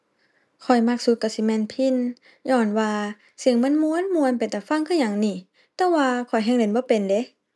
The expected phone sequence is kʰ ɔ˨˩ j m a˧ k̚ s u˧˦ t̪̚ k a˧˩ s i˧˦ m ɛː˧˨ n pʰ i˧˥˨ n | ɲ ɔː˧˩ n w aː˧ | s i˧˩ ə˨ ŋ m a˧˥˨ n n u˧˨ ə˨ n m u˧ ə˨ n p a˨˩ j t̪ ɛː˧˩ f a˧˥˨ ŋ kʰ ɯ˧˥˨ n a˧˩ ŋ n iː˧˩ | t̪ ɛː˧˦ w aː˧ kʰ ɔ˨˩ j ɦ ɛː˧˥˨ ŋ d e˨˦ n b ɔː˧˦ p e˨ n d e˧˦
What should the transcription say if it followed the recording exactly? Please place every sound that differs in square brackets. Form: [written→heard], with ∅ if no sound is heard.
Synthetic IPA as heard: kʰ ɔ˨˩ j m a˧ k̚ s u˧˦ t̪̚ k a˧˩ s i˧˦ m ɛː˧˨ n pʰ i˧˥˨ n | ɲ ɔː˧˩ n w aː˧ | s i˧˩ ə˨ ŋ m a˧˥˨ n [n→m] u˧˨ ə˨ n m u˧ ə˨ n p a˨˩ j t̪ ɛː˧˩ f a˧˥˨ ŋ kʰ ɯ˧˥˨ [n→ɲ] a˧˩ ŋ n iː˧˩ | t̪ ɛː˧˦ w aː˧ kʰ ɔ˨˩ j ɦ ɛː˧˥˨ ŋ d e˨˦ n b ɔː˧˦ p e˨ n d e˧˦